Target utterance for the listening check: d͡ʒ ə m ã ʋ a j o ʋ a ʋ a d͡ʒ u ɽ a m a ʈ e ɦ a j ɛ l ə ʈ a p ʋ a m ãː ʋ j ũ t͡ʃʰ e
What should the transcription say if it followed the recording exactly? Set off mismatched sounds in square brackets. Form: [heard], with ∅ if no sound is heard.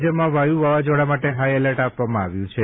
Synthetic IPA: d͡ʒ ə m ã ʋ a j [u] ʋ a ʋ a d͡ʒ [o] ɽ a m a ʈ e ɦ a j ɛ l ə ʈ a p ʋ a m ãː ʋ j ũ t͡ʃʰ e